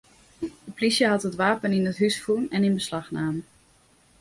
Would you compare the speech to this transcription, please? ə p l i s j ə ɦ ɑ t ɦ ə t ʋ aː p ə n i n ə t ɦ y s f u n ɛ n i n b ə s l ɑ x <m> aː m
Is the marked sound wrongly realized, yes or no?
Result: yes